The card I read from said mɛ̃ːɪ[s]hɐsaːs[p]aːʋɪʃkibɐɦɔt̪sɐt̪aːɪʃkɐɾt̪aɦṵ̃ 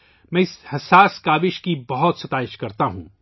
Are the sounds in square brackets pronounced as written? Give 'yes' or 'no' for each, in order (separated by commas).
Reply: yes, no